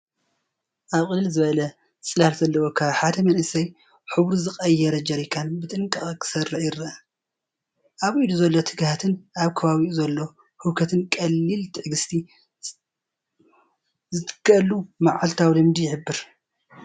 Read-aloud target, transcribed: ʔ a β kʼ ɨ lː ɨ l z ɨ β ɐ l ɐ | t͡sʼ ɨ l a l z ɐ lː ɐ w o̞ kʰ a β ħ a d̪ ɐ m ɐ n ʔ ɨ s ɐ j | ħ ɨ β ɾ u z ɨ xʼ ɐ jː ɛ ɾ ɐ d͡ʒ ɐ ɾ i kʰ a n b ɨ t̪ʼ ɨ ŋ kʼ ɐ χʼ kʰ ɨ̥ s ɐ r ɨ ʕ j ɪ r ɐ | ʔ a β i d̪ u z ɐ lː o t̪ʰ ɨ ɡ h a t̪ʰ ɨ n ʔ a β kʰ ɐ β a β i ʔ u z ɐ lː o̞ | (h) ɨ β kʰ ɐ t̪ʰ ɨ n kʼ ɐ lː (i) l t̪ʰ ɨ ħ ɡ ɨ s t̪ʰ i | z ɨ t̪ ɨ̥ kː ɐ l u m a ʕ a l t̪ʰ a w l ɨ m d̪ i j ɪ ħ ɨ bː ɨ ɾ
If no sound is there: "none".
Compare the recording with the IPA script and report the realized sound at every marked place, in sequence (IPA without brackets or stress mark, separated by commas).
h, i